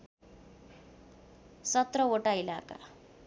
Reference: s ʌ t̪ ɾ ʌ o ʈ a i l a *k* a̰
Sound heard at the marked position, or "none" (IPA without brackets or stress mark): k